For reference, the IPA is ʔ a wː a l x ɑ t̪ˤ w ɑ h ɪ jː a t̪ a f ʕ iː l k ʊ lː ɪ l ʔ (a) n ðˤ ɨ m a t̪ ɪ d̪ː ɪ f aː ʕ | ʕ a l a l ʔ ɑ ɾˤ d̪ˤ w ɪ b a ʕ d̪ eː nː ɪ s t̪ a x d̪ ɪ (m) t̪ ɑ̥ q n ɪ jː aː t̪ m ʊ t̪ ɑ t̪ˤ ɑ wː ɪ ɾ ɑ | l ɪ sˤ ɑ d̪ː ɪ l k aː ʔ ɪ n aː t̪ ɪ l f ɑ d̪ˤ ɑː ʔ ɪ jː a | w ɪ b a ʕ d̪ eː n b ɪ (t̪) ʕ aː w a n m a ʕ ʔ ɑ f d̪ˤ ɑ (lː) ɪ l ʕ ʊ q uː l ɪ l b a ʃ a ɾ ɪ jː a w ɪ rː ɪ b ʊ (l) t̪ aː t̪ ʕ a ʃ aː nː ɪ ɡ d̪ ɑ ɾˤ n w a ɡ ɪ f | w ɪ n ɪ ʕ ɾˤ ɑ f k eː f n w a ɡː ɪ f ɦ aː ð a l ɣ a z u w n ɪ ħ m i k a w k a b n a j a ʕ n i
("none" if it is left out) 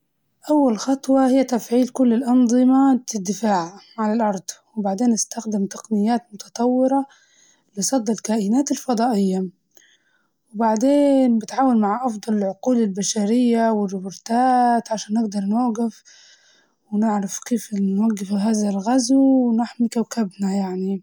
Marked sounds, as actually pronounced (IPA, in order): ɑ, m, t̪, l, ɾ

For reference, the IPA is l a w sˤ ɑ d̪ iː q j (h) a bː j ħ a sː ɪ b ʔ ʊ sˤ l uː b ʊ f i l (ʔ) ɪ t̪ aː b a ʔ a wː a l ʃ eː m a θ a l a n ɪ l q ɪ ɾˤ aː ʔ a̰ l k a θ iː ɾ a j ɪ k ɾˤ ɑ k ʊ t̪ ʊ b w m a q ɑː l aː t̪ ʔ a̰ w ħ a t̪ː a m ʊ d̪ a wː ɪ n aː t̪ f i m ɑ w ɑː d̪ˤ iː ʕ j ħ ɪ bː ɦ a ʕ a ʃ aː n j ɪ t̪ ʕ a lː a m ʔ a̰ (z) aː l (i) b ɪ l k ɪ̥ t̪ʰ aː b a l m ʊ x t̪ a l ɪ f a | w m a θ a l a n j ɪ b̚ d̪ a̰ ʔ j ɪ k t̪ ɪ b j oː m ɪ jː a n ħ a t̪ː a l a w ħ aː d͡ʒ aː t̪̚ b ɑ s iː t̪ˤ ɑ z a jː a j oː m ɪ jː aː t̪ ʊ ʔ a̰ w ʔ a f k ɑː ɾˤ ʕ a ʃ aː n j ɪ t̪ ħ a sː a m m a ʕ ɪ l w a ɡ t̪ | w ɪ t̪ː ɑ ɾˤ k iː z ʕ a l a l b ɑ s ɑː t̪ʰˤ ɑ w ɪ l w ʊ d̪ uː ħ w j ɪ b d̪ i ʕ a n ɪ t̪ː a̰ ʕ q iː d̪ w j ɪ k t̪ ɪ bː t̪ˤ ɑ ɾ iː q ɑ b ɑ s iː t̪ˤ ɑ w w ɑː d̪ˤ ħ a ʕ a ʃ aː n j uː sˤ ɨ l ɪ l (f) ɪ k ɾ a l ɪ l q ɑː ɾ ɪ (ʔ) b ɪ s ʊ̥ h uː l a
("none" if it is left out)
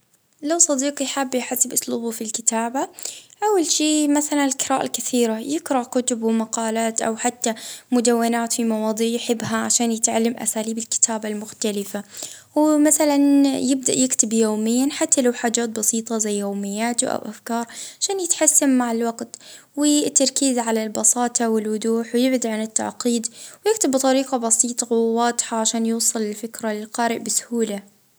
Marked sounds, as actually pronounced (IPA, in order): ħ, k, s, iː, f, ʔ

